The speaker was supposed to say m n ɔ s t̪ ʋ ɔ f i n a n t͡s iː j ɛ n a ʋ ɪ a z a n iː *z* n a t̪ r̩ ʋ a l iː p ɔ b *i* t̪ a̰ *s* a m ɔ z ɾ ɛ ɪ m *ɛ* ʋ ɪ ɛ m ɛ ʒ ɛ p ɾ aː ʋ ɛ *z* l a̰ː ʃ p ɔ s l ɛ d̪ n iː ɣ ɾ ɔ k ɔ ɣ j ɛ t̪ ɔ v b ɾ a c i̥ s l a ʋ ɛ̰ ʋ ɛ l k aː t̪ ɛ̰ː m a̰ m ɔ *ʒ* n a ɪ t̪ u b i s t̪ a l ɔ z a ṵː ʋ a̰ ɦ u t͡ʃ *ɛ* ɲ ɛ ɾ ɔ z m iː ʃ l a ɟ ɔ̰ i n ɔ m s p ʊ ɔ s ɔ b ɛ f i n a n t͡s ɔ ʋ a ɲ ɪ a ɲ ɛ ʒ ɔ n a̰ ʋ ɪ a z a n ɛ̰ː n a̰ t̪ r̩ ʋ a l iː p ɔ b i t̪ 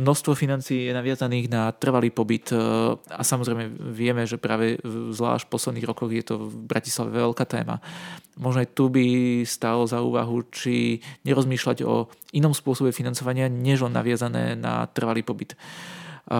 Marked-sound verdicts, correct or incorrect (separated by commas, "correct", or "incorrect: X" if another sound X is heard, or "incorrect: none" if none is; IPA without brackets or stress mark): incorrect: ɣ, correct, correct, correct, correct, correct, incorrect: i